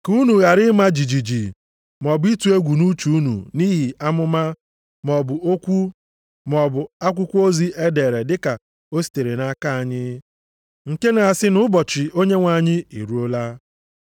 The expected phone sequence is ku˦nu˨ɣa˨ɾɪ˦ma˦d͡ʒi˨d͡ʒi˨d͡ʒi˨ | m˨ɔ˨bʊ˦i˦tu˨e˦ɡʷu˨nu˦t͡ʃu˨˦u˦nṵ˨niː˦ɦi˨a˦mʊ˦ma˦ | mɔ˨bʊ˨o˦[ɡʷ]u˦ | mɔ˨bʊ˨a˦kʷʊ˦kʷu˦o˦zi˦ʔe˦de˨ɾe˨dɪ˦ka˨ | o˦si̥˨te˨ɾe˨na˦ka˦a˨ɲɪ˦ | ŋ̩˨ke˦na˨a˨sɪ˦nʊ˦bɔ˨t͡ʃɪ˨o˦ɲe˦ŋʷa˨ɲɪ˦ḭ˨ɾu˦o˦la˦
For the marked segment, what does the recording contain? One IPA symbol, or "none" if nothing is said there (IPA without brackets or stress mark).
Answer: kʷ